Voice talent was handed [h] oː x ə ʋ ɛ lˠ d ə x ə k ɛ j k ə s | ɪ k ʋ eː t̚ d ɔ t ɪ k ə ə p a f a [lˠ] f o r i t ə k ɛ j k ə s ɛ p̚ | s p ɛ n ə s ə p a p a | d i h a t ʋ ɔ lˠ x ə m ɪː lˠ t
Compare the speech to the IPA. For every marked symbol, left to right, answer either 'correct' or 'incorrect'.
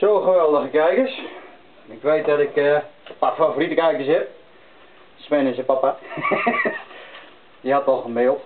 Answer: incorrect: s, incorrect: none

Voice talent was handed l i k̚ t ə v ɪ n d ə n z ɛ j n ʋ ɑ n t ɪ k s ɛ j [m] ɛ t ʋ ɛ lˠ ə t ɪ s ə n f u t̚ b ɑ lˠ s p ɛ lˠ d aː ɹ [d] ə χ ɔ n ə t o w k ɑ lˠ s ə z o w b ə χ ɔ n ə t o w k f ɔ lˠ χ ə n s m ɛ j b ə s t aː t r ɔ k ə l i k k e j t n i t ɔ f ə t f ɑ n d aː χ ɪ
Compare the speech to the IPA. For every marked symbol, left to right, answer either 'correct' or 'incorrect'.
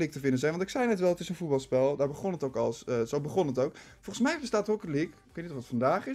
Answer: incorrect: n, incorrect: b

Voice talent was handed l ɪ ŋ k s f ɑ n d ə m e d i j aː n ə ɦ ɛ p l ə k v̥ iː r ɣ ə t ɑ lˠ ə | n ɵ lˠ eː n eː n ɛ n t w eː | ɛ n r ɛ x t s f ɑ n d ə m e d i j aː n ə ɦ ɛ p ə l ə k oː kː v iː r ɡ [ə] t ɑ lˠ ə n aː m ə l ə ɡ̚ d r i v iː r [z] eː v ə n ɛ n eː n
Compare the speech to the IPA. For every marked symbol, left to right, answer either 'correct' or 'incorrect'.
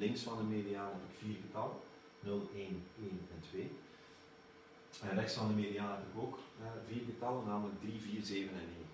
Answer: correct, correct

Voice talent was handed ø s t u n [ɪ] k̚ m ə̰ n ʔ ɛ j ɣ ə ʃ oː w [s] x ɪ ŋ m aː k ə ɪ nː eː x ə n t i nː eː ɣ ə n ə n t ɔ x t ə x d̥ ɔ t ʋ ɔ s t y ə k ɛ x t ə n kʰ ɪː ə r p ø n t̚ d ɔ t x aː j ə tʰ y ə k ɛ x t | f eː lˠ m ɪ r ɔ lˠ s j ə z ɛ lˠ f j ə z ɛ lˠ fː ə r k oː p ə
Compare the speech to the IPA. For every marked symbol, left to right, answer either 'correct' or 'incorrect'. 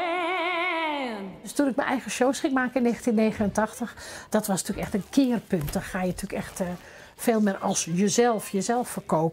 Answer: correct, correct

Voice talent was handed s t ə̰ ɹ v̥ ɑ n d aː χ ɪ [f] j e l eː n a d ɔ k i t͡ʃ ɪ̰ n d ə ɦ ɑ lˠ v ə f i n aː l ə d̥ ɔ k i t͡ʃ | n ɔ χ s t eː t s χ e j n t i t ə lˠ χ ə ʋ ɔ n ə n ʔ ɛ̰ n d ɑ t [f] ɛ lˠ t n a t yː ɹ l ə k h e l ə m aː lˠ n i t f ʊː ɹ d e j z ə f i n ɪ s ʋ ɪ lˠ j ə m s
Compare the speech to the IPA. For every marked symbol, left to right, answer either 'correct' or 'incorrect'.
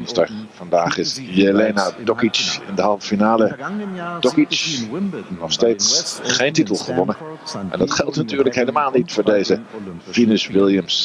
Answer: incorrect: s, incorrect: χ

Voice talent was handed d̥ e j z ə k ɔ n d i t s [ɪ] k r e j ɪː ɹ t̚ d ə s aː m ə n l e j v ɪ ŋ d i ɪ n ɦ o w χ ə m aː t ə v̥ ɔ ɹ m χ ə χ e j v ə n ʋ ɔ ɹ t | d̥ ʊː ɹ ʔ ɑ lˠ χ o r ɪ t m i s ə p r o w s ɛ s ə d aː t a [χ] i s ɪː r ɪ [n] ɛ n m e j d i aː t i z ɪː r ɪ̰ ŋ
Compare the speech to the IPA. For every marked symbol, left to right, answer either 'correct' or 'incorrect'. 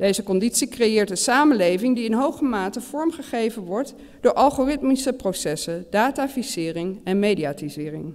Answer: incorrect: i, incorrect: f, incorrect: ŋ

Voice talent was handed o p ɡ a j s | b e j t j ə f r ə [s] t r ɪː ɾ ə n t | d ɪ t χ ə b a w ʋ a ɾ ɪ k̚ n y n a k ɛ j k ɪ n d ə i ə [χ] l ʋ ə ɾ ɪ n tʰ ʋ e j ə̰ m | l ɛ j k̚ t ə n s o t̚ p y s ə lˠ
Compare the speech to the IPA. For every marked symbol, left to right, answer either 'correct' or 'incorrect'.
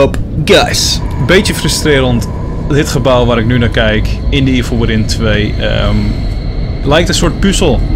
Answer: correct, incorrect: f

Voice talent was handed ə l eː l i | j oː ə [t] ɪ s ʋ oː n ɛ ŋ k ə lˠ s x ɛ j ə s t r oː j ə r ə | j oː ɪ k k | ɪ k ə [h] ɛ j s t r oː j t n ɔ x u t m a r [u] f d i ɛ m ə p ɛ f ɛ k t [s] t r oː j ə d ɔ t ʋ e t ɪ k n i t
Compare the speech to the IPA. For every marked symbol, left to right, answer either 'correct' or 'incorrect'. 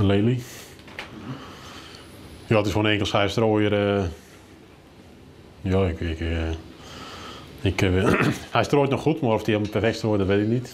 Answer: correct, correct, incorrect: ɔ, correct

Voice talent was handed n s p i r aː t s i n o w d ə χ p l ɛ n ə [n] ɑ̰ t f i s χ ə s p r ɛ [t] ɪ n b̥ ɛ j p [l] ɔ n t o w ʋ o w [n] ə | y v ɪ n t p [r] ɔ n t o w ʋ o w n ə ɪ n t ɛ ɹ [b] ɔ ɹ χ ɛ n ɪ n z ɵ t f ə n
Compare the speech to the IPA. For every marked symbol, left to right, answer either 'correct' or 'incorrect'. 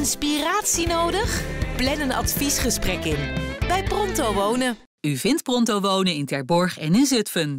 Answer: correct, incorrect: k, incorrect: r, correct, correct, correct

